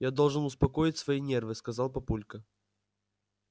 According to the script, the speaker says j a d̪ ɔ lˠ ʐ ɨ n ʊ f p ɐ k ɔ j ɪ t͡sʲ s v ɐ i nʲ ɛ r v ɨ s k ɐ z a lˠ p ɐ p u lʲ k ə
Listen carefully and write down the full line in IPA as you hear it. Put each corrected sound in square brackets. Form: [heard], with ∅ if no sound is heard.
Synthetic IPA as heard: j a d̪ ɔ lˠ ʐ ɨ n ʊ [s] p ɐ k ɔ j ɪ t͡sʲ s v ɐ i nʲ ɛ r v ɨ s k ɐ z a lˠ p ɐ p u lʲ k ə